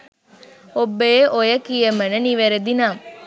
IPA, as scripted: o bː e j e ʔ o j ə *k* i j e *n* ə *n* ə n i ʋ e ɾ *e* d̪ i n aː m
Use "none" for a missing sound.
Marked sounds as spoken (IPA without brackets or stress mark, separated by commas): k, m, n, e